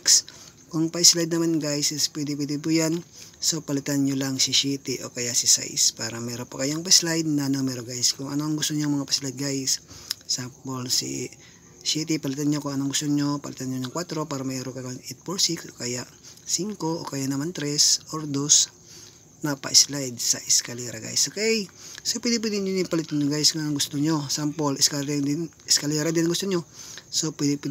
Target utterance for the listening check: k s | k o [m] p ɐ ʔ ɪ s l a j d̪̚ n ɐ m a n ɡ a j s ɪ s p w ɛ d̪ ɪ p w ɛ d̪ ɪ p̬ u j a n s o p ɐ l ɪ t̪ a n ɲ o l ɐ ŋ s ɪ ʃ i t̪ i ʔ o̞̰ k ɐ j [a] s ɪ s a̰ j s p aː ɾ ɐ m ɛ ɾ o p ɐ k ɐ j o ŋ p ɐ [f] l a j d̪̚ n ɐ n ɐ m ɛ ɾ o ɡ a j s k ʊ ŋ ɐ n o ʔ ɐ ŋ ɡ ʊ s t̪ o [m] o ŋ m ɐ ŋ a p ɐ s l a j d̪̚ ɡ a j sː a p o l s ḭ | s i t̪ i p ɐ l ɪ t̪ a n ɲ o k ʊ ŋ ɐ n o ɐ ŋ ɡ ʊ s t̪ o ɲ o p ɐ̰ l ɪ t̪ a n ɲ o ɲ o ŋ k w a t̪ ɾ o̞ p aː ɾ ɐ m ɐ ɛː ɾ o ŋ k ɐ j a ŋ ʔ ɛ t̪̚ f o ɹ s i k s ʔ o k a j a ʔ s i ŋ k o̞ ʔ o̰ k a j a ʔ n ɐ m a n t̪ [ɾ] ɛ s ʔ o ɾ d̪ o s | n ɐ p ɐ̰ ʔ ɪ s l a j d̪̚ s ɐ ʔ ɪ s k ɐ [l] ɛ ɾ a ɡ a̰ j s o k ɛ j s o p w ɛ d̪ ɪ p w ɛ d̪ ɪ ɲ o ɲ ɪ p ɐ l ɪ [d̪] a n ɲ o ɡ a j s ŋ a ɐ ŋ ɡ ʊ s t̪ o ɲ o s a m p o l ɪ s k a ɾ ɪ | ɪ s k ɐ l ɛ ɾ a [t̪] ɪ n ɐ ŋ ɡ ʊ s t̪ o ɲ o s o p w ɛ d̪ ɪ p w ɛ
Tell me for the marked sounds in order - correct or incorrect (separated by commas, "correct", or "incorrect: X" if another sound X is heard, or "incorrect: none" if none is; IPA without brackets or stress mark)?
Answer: incorrect: ŋ, correct, incorrect: s, incorrect: ɲ, correct, correct, incorrect: t̪, incorrect: d̪